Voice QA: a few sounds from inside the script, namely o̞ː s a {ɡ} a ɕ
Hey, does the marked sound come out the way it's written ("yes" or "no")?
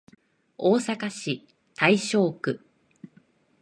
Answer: no